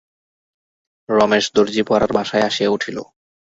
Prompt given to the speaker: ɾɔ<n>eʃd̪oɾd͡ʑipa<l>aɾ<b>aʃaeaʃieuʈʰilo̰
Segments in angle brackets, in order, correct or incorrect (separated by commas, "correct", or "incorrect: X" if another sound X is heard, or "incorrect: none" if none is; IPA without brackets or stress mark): incorrect: m, incorrect: ɾ, correct